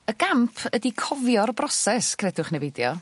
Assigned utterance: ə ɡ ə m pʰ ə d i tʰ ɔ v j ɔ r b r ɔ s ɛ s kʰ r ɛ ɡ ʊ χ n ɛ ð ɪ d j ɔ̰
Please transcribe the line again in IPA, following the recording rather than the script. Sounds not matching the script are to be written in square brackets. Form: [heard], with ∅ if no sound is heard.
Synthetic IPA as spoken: ə ɡ [a] m pʰ ə d i [kʰ] ɔ v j ɔ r b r ɔ s ɛ s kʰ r ɛ [d] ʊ χ n ɛ [v] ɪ d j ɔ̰